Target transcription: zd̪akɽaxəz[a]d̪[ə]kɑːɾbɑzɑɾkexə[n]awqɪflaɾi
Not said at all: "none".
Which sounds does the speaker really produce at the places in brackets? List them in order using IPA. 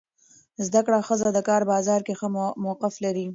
a, ə, m

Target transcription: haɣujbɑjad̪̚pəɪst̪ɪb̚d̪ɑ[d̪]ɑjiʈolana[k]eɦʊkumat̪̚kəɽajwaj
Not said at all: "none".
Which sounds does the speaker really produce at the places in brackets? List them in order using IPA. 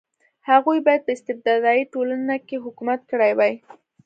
d̪, k

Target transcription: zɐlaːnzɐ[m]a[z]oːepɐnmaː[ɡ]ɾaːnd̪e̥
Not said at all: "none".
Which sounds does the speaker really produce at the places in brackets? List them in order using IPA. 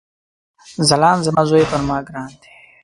m, z, ɡ

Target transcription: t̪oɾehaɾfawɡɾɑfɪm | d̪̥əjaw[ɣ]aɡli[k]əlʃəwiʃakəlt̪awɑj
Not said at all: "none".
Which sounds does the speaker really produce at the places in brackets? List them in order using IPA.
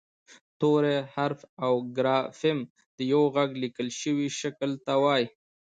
ɣ, k

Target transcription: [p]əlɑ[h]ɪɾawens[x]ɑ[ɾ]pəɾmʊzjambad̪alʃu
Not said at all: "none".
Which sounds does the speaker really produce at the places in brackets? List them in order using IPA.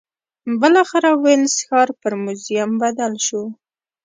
b, x, x, ɾ

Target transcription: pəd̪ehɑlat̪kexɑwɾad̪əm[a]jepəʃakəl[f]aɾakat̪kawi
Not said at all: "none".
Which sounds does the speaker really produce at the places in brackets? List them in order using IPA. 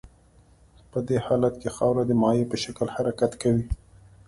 ɑ, h

